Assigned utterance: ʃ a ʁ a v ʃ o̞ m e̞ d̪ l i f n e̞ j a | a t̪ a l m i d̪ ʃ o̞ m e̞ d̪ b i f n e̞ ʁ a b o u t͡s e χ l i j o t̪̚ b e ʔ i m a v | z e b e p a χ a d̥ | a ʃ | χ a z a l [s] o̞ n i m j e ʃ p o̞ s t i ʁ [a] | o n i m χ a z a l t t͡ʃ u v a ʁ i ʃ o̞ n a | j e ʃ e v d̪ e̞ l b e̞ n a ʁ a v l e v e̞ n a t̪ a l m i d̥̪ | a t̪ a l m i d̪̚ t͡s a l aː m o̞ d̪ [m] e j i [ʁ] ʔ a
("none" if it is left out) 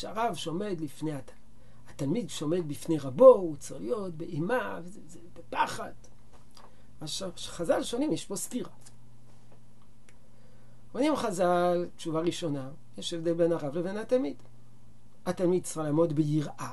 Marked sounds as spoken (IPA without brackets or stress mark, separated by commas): ʃ, a, b, ʁ